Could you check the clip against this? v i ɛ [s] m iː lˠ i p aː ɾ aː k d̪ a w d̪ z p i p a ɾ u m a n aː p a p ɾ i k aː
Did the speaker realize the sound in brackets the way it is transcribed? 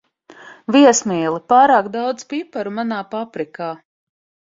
yes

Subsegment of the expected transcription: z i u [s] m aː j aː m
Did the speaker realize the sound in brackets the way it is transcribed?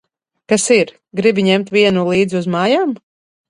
no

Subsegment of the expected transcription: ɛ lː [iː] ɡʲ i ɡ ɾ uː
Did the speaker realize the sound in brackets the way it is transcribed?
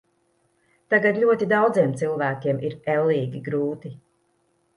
yes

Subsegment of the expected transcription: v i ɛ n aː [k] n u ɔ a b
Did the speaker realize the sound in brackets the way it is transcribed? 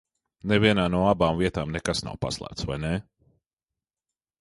no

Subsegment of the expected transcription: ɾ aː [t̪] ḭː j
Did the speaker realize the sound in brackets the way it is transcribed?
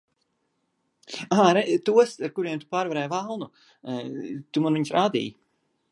no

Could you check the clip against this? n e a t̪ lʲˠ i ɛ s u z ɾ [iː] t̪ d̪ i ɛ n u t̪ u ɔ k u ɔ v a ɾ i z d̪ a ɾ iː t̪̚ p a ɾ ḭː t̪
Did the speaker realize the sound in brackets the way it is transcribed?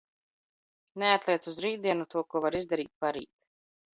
yes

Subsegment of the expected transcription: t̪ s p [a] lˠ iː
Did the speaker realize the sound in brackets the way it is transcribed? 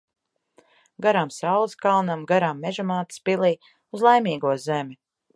no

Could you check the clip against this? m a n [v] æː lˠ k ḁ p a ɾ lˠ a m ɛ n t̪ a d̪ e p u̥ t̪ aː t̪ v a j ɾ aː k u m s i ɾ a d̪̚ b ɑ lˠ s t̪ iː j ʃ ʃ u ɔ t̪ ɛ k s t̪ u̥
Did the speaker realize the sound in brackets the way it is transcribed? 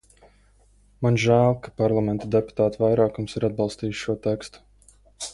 no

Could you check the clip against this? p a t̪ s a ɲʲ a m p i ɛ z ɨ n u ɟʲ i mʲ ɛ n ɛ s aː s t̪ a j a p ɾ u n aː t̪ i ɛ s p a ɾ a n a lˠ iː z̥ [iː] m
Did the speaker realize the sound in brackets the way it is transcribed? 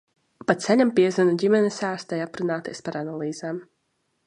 no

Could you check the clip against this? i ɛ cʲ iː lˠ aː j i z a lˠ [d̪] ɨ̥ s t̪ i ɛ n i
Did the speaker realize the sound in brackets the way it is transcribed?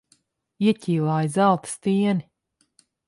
no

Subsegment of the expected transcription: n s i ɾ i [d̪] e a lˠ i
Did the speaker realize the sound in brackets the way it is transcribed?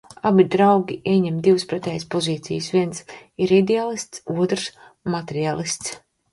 yes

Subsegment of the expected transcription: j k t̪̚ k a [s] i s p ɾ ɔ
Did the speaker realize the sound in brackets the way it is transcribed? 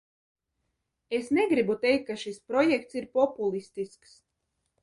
no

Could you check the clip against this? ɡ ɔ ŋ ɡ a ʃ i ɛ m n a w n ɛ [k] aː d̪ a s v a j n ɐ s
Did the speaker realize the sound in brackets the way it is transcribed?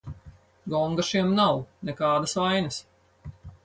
yes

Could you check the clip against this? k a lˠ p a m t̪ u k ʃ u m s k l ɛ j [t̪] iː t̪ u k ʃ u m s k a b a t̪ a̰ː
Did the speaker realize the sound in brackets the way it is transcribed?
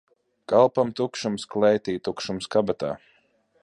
yes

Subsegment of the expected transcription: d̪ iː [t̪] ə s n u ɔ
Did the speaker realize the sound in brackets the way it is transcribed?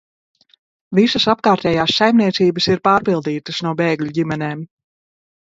yes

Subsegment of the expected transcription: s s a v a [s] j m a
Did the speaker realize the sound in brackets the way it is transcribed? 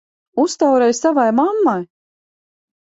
no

